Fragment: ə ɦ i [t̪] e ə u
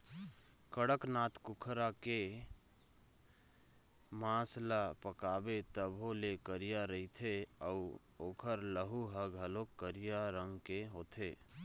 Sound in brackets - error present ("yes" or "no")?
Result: yes